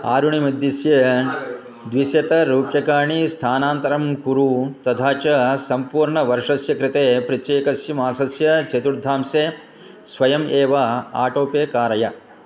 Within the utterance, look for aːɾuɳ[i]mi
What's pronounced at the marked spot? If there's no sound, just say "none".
i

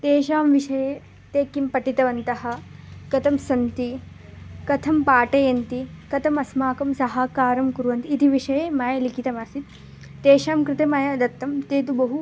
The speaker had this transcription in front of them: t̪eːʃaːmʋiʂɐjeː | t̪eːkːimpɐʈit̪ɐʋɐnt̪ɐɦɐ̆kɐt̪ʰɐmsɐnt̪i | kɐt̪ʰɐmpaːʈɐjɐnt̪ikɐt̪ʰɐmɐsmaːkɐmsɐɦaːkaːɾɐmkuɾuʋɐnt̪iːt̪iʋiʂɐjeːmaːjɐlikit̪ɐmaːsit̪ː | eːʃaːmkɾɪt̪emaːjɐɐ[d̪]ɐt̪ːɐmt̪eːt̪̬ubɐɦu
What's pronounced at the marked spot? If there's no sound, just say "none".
d̪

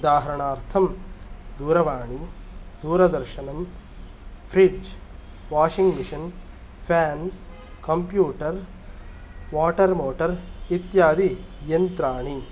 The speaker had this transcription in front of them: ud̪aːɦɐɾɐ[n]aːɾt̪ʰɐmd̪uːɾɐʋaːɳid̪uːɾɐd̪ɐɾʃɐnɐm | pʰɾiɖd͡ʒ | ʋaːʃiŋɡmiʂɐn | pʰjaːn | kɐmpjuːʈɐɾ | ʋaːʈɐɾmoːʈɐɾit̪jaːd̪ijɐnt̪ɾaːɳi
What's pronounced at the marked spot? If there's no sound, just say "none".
ɳ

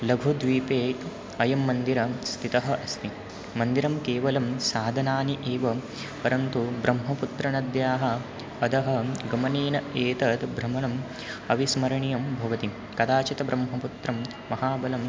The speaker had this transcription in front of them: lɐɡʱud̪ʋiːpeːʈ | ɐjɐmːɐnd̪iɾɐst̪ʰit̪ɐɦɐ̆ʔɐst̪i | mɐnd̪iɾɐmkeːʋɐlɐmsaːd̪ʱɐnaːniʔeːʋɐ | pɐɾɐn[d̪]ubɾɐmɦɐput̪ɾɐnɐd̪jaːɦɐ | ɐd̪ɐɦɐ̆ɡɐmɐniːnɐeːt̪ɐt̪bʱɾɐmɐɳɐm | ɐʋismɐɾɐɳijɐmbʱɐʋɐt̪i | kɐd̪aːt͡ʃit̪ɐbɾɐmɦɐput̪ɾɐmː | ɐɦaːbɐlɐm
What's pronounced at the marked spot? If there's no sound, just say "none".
t̪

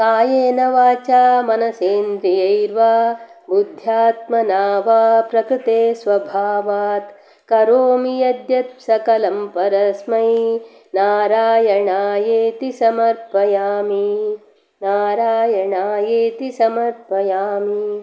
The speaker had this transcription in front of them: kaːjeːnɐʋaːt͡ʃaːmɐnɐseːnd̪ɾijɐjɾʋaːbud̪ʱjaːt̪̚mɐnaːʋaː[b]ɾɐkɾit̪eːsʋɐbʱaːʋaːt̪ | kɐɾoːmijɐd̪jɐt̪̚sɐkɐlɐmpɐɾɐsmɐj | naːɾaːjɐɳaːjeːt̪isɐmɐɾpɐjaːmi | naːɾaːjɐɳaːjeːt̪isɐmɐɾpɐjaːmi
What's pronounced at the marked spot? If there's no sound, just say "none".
p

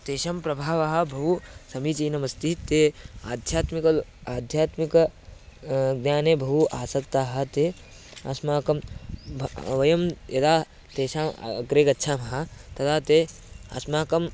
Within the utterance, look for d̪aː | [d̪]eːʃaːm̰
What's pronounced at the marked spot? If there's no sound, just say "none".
t̪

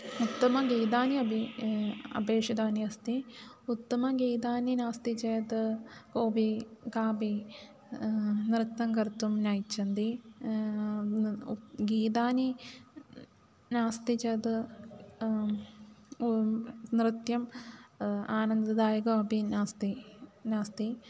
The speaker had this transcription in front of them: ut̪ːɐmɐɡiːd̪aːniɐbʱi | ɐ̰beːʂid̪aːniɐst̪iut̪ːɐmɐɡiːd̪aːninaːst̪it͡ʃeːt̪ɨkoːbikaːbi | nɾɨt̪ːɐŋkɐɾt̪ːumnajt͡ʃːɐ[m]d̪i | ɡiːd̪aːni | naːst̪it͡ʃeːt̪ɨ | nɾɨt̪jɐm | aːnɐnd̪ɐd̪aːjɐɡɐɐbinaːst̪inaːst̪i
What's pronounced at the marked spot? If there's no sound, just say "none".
n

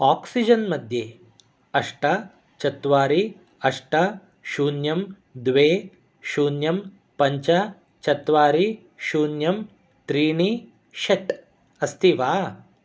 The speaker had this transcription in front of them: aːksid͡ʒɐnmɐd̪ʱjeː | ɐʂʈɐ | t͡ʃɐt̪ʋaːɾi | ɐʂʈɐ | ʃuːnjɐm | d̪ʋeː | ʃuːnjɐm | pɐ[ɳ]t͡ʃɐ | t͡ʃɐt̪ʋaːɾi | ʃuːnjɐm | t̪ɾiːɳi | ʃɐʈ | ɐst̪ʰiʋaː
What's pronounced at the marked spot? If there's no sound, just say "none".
ɲ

